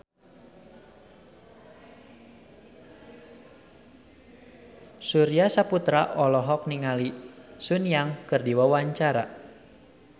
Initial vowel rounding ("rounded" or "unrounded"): rounded